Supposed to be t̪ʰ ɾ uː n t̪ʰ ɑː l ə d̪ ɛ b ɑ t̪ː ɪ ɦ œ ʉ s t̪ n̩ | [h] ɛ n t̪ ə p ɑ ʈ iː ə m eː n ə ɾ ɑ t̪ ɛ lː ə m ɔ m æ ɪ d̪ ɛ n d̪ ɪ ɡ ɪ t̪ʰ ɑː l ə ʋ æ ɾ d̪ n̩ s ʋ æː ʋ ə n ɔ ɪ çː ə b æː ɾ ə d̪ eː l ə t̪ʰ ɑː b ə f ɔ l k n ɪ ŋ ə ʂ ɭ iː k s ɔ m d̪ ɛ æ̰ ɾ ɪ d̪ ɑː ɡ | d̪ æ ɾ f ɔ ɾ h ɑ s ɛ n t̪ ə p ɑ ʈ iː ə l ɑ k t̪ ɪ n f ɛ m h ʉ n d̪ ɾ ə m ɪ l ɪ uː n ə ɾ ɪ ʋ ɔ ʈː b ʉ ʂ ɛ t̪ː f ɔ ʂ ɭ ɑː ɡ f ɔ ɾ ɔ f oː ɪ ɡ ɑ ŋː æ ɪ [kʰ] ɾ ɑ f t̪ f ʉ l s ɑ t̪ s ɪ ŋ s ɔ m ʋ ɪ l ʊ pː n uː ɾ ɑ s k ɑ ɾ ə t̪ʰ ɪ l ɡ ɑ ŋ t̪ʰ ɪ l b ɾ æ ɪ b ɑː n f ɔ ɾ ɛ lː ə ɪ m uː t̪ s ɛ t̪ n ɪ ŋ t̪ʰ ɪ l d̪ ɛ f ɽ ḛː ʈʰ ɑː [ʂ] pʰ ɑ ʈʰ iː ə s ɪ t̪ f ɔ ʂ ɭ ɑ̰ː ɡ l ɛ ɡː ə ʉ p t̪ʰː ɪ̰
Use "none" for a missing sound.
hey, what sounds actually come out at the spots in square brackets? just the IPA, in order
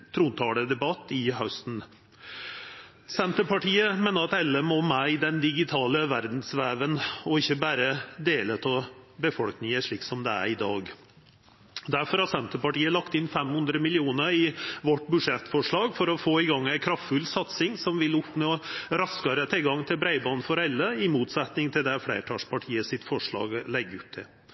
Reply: s, kʰ, ʂ

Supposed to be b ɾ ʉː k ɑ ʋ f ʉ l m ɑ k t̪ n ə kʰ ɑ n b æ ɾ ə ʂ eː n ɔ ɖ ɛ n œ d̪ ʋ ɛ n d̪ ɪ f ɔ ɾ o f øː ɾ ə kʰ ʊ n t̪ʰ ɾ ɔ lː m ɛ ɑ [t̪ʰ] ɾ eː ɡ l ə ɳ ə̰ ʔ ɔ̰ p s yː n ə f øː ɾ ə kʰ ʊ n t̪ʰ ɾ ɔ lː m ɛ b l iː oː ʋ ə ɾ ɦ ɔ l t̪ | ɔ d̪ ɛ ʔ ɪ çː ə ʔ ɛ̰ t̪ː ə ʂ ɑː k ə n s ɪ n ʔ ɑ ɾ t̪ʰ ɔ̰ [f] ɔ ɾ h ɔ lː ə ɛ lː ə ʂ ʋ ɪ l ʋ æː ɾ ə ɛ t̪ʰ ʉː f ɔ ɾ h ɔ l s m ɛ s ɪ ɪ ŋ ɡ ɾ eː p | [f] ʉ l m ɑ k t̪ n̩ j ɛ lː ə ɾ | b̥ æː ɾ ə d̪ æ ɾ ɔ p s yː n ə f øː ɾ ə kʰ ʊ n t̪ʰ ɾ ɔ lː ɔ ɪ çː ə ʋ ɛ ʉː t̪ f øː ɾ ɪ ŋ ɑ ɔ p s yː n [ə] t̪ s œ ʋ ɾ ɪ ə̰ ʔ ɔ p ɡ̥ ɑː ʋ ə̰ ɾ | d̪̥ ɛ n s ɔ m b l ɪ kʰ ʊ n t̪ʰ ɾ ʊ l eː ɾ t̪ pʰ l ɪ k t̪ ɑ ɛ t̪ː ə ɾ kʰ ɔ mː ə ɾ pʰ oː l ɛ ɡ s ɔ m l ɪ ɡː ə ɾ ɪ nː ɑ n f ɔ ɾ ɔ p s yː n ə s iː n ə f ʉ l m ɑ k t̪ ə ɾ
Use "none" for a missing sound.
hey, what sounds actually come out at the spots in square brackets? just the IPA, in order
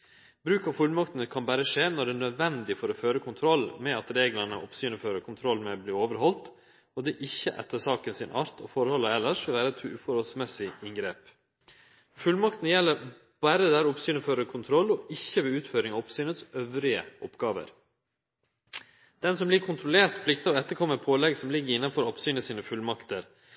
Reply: t̪, f, f, ə

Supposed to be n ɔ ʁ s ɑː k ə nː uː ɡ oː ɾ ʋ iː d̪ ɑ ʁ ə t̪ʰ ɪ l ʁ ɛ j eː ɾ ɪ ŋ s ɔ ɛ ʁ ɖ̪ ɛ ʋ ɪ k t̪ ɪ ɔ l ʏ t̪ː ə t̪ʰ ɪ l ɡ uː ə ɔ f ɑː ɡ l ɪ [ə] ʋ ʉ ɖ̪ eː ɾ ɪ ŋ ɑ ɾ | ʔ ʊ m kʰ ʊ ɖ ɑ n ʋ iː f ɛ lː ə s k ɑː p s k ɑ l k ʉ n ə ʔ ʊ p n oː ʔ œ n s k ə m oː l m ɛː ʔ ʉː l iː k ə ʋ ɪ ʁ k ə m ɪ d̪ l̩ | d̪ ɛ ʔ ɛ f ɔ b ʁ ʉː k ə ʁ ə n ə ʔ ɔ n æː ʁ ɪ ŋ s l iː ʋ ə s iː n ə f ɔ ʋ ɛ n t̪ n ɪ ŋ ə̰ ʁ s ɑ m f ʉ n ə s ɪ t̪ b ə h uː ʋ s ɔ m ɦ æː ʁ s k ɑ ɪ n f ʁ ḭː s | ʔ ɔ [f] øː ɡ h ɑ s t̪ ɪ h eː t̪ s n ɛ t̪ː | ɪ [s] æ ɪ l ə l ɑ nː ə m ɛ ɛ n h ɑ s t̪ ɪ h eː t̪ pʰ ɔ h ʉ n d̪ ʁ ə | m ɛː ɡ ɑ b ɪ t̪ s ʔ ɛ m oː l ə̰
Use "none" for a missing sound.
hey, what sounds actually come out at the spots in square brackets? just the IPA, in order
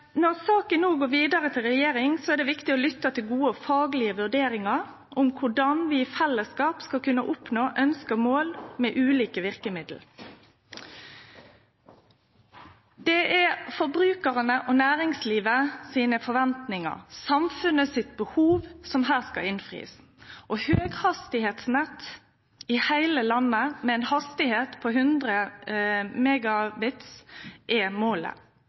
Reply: ə, h, h

